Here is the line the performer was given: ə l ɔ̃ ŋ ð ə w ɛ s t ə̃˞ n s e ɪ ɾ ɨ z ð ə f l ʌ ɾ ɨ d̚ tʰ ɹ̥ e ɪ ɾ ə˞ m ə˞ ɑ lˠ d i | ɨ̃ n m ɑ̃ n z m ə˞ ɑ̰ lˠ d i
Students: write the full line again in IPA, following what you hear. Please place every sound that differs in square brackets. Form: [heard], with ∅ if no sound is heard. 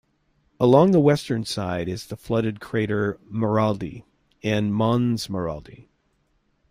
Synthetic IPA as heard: ə l ɔ̃ ŋ ð ə w ɛ s t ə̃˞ n s [a] ɪ ɾ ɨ z ð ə f l ʌ ɾ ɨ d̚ [kʰ] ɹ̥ e ɪ ɾ ə˞ m ə˞ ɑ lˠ d i | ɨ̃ n m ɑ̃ n z m ə˞ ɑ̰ lˠ d i